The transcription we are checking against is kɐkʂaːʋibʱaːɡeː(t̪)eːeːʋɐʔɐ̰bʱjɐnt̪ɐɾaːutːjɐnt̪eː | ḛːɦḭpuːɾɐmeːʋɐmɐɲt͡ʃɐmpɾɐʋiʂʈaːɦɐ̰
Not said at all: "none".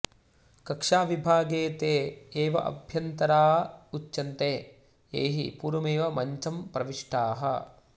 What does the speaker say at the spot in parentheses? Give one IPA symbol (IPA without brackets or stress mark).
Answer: t̪